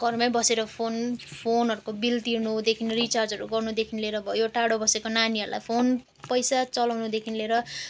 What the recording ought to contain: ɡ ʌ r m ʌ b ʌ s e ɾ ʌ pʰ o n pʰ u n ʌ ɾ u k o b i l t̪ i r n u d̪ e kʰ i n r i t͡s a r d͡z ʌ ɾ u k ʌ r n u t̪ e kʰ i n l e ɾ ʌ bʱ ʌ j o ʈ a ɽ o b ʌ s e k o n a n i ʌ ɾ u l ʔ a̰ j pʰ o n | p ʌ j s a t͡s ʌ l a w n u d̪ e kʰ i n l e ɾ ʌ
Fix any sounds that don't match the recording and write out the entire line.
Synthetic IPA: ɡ ʌ r m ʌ b ʌ s e ɾ ʌ pʰ o n pʰ o n ʌ ɾ u k o b i l t̪ i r n u d̪ e kʰ i n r i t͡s a r d͡z ʌ ɾ u ɡ ʌ r n u d̪ e kʰ i n l e ɾ ʌ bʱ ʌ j o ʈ a ɽ o b ʌ s e k o n a n i ʌ ɾ u l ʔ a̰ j pʰ o n | p ʌ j s a t͡s ʌ l a w n u d̪ e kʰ i n l e ɾ ʌ